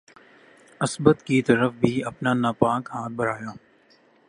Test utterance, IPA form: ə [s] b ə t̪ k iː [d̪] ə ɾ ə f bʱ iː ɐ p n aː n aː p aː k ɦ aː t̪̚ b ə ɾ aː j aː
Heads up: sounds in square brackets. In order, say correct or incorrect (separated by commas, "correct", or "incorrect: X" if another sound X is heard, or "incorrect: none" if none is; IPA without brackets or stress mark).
correct, incorrect: t̪